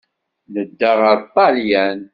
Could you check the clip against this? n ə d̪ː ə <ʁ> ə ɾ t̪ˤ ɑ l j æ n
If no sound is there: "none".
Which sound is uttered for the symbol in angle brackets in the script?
ʁ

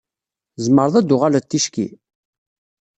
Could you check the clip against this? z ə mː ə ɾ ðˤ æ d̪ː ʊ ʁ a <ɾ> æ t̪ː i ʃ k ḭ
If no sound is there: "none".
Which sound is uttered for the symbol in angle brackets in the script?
l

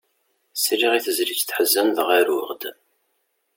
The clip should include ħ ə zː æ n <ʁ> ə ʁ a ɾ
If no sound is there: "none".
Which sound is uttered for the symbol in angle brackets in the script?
ð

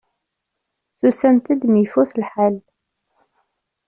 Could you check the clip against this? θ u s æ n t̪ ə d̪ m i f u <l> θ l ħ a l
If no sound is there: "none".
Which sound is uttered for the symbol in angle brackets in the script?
none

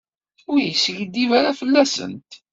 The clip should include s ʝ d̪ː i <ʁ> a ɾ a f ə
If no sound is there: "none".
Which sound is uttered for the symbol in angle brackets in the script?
v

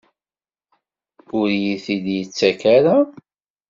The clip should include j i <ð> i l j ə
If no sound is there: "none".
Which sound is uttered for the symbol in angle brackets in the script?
θ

